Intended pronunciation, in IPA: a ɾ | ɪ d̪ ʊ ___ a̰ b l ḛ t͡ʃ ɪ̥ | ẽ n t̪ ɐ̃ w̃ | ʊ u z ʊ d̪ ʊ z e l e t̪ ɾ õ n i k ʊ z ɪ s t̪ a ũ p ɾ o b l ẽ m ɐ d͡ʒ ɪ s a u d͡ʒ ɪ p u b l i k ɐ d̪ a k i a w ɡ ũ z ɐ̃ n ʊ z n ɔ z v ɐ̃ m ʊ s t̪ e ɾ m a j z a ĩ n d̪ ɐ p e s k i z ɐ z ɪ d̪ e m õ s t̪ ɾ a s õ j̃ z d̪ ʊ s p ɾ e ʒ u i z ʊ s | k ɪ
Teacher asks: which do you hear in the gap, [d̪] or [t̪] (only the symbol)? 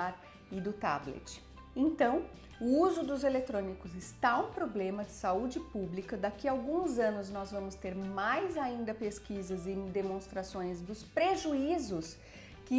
t̪